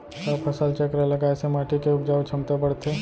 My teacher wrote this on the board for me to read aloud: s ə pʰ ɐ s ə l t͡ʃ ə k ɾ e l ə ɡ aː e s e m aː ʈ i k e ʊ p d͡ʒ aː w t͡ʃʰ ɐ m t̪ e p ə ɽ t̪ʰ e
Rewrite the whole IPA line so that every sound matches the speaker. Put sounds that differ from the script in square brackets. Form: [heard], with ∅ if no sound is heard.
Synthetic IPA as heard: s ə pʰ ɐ s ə l t͡ʃ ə k ɾ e l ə ɡ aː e s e m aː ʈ i k e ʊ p d͡ʒ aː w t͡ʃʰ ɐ m t̪ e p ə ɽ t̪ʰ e